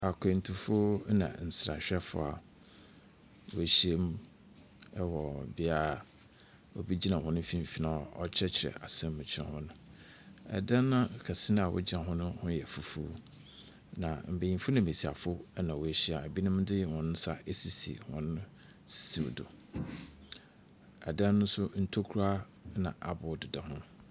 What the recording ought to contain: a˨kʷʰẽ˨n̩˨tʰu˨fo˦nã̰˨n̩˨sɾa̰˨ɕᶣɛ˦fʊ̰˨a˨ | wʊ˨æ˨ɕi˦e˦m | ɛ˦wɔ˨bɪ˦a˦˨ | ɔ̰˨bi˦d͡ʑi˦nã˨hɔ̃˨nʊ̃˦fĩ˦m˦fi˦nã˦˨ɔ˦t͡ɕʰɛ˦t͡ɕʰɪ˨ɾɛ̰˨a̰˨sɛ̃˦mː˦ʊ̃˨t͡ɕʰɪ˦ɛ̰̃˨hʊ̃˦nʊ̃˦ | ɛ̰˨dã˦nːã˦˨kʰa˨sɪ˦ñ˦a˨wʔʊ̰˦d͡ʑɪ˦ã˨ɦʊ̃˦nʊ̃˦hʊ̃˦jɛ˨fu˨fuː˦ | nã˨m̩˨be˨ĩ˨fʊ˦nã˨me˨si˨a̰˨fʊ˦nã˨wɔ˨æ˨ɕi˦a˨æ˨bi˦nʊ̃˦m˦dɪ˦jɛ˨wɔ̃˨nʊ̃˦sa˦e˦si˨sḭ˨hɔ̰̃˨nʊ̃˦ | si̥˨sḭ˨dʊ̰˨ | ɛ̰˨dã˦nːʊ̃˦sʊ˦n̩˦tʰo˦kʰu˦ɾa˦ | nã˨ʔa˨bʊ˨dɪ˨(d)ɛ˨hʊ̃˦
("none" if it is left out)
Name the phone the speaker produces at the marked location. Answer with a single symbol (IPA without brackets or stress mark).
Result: d